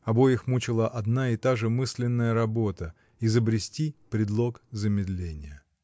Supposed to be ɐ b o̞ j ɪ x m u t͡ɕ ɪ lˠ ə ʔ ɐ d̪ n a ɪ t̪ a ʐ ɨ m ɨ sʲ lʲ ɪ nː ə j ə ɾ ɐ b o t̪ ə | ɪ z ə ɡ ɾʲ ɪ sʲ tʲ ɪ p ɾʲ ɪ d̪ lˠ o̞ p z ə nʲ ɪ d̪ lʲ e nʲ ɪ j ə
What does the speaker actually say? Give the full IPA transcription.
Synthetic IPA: ɐ b o̞ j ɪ x m u t͡ɕ ɪ lˠ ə ʔ ɐ d̪ n a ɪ t̪ a ʐ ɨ m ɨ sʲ lʲ ɪ nː ə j ə ɾ ɐ b o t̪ ə | ɪ z ə b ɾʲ ɪ sʲ tʲ i p ɾʲ ɪ d̪ lˠ o̞ k z ə mʲ ɪ d̪ lʲ e nʲ ɪ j ə

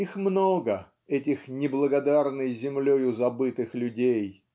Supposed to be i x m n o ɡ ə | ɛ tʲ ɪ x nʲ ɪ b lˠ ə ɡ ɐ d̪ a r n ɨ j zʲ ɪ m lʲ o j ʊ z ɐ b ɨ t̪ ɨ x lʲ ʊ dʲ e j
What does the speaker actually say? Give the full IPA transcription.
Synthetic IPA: i x m n o ɡ ə | ɛ tʲ ɪ x nʲ ɪ b lˠ ə ɡ ɐ d̪ a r n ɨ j zʲ ɪ m lʲ o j ʊ z ɐ b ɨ t̪ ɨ x lʲ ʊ dʲ e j

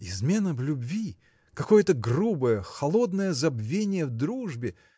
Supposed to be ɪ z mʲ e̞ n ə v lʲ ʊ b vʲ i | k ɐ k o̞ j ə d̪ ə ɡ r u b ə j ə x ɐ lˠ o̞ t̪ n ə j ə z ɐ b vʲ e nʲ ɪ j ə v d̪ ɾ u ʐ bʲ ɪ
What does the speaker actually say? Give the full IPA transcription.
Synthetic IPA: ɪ z mʲ e̞ n ə v lʲ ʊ b vʲ i | k ɐ k o̞ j ə t̪ ə ɡ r u b ə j ə x ɐ lˠ o̞ d̪ n ə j ə z ɐ b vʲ e nʲ ɪ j ə v d̪ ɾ u ʐ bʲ ɪ

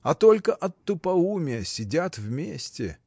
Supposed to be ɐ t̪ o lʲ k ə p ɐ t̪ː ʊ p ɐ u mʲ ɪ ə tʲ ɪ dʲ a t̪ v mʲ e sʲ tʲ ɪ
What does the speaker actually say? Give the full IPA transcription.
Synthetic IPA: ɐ t̪ o lʲ k ə ʔ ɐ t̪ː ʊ p ɐ u mʲ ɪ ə sʲ ɪ dʲ a t̪ v mʲ e sʲ tʲ ɪ

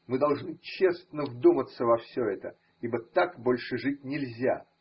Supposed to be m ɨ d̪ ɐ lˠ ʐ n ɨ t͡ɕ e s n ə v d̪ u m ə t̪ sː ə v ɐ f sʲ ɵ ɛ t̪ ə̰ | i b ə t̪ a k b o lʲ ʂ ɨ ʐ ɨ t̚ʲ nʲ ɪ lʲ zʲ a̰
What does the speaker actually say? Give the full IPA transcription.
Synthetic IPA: m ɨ d̪ ɐ lˠ ʐ n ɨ t͡ɕ e s n ə v d̪ u m ə t̪ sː ə v ɐ f sʲ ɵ ɛ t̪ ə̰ | i b ə t̪ a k b o lʲ ʂ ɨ ʐ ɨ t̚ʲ nʲ ɪ lʲ zʲ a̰

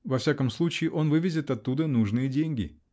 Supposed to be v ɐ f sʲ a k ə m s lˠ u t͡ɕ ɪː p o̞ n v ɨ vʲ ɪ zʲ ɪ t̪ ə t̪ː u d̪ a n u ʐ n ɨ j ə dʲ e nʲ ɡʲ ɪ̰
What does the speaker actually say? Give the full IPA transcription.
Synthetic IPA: v ɐ f sʲ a k ə m s lˠ u t͡ɕ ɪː ʔ o̞ n v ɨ vʲ ɪ zʲ ɪ t̪ ɐ t̪ː u d̪ ə n u ʐ n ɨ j ə dʲ e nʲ ɡʲ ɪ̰

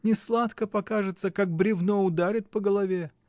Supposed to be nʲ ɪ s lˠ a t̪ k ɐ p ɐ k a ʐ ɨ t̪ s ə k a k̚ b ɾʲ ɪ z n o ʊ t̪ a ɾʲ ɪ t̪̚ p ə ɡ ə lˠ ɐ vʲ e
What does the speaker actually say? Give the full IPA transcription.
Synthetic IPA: nʲ ɪ s lˠ a t̪ k ə p ɐ k a ʐ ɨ t̪ s ə k a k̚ b ɾʲ ɪ v n o ʊ d̪ a ɾʲ ɪ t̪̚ p ə ɡ ə lˠ ɐ vʲ e

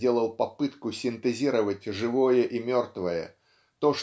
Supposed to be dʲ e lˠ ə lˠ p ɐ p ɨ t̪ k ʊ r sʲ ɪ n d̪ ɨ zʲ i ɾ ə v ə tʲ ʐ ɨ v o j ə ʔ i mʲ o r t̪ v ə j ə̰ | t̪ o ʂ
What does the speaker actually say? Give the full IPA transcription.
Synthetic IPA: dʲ e lˠ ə lˠ p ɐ p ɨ t̪ k ʊ sʲ ɪ n t̪ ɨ zʲ i ɾ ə v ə tʲ ʐ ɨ v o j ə ʔ i mʲ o r t̪ v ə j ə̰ | t̪ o ʂ

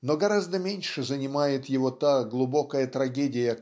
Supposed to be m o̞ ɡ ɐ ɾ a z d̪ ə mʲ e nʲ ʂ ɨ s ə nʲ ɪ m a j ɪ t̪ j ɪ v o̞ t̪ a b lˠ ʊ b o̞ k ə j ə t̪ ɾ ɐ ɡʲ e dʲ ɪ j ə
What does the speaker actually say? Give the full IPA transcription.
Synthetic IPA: n o̞ ɡ ɐ ɾ a z d̪ ə mʲ e nʲ ʂ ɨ z ə nʲ ɪ m a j ɪ t̪ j ɪ v o̞ t̪ a ɡ lˠ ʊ b o̞ k ə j ə t̪ ɾ ɐ ɡʲ e dʲ ɪ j ə

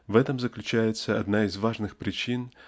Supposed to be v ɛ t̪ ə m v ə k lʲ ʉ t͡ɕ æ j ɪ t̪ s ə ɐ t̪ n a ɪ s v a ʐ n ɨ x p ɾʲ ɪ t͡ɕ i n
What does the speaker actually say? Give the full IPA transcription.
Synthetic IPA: v ɛ t̪ ə m z ə k lʲ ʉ t͡ɕ æ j ɪ t̪ s ə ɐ d̪ n a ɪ z v a ʐ n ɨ x p ɾʲ ɪ t͡ɕ i n

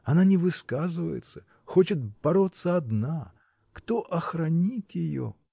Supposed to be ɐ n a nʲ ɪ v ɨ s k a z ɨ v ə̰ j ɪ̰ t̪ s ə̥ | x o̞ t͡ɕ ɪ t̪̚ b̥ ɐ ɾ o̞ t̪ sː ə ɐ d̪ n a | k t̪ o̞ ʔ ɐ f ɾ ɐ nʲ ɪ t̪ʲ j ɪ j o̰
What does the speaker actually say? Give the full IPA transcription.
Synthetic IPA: ɐ n a nʲ ɪ v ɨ s k a z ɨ v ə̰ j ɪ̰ t̪ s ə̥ | x o̞ t͡ɕ ɪ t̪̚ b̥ ɐ ɾ o̞ t̪ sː ə ɐ d̪ n a | k t̪ o̞ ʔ ɐ x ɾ ɐ nʲ i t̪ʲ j ɪ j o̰

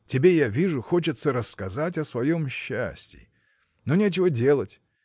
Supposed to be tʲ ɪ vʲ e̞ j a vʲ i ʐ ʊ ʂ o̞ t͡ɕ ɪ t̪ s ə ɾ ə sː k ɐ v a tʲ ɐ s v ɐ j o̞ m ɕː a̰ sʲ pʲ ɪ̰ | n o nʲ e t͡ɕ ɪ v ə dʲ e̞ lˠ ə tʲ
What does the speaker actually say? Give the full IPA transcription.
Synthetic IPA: tʲ ɪ bʲ e̞ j a vʲ i ʐ ʊ x o̞ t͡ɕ ɪ t̪ s ə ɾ ə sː k ɐ z a tʲ ɐ s v ɐ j o̞ m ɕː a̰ sʲ tʲ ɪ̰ | n o nʲ e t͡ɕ ɪ v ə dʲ e̞ lˠ ə tʲ

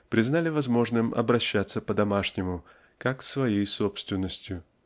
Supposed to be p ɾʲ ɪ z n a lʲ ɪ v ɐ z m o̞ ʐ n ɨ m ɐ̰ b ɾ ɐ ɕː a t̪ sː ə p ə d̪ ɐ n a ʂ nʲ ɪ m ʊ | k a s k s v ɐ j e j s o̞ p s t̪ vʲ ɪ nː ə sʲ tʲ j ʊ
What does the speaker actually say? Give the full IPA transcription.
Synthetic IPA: p ɾʲ ɪ z n a lʲ ɪ v ɐ z m o̞ ʐ n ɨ m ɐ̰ b ɾ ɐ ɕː a t̪ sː ə p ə d̪ ɐ m a ʂ nʲ ɪ m ʊ | k a k s v ɐ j e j s o̞ p s t̪ vʲ ɪ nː ə sʲ tʲ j ʊ

